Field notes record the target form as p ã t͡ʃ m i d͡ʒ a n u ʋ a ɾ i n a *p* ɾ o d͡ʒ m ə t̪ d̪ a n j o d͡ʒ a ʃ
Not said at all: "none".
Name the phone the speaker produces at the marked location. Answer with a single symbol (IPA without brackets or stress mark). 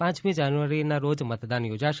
none